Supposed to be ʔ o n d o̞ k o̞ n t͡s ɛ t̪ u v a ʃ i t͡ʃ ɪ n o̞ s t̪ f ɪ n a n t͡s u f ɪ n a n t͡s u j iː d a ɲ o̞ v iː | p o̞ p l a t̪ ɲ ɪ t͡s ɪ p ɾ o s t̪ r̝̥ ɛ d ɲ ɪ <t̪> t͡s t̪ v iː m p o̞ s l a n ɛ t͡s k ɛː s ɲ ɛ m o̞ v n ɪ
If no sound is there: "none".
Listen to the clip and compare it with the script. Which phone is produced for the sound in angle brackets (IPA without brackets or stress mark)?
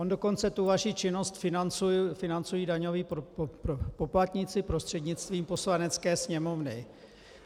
none